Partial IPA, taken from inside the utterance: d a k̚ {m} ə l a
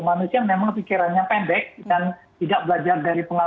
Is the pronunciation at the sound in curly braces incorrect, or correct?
incorrect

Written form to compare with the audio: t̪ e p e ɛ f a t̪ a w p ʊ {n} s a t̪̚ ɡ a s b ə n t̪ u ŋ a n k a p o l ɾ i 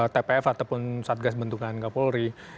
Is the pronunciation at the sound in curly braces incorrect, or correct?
correct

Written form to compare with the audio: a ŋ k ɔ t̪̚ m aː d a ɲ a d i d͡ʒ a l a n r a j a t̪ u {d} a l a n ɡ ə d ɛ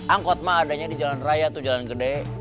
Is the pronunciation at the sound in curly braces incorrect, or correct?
incorrect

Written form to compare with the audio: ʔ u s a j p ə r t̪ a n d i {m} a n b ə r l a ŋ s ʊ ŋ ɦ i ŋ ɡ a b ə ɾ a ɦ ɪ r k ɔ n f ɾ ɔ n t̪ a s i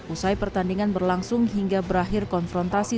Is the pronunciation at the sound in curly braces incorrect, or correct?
incorrect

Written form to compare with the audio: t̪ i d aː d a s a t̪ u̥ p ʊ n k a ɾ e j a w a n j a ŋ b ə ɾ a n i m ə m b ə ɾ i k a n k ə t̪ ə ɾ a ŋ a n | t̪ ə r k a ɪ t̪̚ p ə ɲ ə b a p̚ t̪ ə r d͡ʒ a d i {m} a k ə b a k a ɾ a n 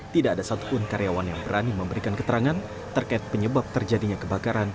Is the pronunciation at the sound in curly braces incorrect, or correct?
incorrect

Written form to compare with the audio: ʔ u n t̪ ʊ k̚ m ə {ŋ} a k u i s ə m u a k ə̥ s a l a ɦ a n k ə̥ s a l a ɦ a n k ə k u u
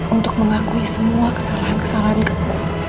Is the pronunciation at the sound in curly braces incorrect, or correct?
correct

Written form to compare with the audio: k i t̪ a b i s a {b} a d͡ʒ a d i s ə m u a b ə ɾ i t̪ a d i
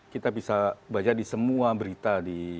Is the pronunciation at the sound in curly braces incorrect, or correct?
correct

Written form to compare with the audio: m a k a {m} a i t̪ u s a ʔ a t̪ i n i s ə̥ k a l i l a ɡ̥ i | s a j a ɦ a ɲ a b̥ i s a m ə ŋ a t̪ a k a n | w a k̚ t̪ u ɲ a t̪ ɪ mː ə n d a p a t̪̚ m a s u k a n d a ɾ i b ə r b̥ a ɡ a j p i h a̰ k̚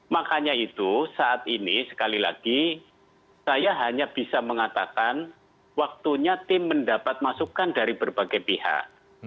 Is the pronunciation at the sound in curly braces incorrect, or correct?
incorrect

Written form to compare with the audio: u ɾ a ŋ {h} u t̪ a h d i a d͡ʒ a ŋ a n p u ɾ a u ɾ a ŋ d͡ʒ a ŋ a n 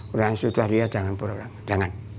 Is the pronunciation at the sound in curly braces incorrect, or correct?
incorrect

